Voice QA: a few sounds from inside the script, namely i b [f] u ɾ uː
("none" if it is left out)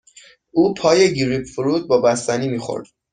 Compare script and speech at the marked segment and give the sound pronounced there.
f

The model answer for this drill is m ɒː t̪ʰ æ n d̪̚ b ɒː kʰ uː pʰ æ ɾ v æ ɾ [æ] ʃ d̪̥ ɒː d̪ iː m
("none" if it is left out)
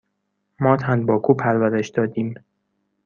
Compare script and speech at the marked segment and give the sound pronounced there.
e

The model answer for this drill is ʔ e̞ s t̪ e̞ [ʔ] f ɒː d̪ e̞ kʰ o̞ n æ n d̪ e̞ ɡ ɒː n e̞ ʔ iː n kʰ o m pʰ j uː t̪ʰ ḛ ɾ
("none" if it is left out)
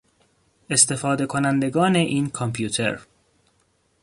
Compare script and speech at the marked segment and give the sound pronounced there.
none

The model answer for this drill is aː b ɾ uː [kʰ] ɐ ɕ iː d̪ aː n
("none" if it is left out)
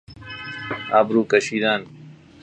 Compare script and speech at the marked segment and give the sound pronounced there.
k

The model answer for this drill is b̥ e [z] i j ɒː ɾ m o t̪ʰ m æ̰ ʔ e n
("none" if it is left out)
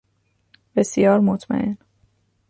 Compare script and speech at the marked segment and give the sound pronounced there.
s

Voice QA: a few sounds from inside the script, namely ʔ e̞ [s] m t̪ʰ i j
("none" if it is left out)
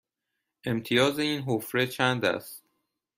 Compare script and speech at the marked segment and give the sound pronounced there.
none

